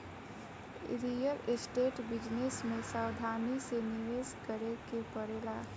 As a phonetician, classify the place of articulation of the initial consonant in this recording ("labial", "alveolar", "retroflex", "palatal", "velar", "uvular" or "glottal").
alveolar